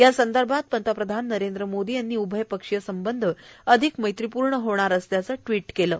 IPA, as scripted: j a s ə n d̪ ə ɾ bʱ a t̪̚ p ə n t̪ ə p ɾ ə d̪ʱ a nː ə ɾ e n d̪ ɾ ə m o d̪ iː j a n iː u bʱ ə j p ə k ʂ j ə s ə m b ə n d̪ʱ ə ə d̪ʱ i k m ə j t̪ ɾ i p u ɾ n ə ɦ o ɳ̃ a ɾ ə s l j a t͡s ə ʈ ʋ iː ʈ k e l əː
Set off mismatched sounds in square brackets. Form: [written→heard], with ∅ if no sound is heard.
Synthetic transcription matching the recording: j a s ə n d̪ ə ɾ bʱ a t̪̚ p ə n t̪ ə p ɾ ə d̪ʱ a nː ə ɾ e n d̪ ɾ ə m o d̪ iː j a [n→nː] iː u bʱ ə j p ə k ʂ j ə s ə m b ə n d̪ʱ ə ə d̪ʱ i k m ə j t̪ ɾ i p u ɾ [n→ɳ] ə ɦ o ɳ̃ a ɾ ə s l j a t͡s ə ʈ ʋ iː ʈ k e l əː

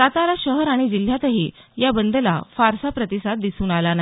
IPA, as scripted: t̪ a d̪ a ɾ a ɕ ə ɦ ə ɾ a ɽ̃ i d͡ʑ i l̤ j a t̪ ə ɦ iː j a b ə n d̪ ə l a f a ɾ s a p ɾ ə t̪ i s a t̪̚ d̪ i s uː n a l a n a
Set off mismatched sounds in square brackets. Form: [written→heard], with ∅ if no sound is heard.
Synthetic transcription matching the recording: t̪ a [d̪→t̪] a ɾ a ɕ ə ɦ ə ɾ a ɽ̃ i d͡ʑ i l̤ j a t̪ ə ɦ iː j a b ə n d̪ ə l a f a ɾ s a p ɾ ə t̪ i s a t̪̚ d̪ i s uː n a l a n a

